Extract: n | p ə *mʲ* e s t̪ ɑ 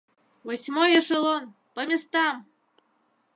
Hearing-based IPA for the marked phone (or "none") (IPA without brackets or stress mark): mʲ